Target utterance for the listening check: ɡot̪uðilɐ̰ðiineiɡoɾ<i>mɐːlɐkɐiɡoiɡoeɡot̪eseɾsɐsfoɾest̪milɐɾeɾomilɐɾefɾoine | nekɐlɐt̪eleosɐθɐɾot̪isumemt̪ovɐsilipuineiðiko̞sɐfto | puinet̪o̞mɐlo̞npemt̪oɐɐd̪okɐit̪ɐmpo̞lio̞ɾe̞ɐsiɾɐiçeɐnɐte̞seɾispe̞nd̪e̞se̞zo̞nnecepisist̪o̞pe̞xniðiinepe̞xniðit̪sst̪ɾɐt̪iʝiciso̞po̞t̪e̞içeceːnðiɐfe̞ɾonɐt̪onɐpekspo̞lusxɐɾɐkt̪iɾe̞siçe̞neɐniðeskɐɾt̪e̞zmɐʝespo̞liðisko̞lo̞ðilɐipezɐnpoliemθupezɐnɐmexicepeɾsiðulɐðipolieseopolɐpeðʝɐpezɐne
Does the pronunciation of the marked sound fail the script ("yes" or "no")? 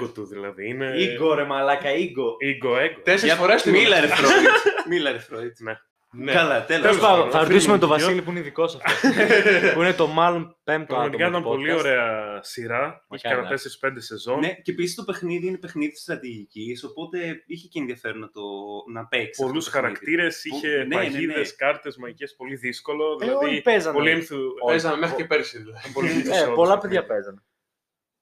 yes